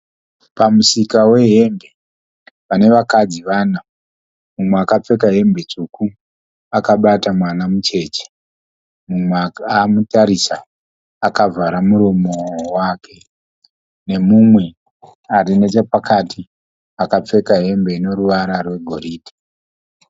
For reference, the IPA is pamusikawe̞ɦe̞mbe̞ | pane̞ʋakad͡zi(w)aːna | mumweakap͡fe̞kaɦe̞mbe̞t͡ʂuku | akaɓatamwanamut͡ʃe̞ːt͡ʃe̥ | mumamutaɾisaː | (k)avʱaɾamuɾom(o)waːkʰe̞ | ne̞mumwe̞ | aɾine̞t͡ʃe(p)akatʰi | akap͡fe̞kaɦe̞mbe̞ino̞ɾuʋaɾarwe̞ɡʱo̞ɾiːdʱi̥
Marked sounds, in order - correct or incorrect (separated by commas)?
incorrect, correct, correct, correct